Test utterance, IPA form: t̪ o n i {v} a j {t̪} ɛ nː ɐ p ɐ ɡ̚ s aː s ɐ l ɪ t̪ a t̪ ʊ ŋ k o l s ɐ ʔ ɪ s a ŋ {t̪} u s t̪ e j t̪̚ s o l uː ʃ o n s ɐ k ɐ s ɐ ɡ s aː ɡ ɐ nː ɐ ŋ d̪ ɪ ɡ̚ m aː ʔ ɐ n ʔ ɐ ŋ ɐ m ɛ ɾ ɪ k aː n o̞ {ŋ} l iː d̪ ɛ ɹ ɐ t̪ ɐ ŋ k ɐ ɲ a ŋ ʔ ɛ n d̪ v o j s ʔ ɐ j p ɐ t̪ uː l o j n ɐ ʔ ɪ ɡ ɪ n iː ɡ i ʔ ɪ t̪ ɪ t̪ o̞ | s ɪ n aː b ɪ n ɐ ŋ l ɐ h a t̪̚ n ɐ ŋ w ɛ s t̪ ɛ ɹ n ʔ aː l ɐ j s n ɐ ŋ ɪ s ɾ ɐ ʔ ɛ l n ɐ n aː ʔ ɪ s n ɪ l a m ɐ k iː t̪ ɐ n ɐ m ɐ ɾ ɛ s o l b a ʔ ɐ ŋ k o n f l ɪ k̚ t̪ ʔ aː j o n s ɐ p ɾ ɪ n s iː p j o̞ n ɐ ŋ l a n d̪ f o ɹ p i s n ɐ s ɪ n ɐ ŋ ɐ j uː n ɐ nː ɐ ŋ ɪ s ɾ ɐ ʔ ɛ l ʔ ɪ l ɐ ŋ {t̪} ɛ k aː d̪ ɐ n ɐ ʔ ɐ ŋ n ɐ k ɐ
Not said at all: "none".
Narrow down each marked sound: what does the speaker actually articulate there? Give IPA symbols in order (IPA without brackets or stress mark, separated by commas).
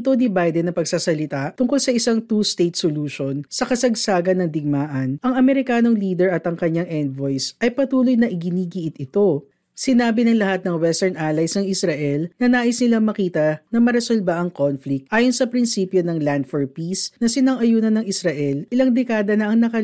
b, d̪, t̪, ŋ, d̪